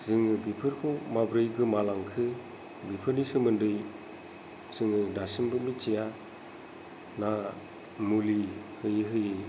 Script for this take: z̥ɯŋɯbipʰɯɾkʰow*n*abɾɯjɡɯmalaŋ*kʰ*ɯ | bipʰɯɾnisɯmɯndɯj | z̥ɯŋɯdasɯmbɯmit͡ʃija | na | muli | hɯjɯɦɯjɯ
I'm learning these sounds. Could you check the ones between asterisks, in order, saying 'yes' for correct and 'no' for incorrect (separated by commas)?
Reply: no, yes